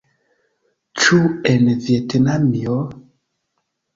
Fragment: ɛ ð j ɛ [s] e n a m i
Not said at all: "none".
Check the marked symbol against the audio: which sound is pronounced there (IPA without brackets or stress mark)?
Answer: t